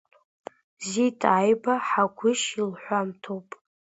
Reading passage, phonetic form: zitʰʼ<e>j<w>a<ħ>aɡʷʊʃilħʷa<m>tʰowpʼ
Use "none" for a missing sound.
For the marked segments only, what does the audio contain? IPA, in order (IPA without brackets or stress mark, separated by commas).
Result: a, b, ħ, m